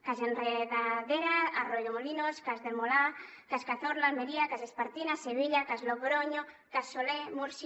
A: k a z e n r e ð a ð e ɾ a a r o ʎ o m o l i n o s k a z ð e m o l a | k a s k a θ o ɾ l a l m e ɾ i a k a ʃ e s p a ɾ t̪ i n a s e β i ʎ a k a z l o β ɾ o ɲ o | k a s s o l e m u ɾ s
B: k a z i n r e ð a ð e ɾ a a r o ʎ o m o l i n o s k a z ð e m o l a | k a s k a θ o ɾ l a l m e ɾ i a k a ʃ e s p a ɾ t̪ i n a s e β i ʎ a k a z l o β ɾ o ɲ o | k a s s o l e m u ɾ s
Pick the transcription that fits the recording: A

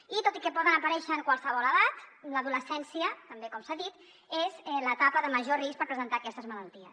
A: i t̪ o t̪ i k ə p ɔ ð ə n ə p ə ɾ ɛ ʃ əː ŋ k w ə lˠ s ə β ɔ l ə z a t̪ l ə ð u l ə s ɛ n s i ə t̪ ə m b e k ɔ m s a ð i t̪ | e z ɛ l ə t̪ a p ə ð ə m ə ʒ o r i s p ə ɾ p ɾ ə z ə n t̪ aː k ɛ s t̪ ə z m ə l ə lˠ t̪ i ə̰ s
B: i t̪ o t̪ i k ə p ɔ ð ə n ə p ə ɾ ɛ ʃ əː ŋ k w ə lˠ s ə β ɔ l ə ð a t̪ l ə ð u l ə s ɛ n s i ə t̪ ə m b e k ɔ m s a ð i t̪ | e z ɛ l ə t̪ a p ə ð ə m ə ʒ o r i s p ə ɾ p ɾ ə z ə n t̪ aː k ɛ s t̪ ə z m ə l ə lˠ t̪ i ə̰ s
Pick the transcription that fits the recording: B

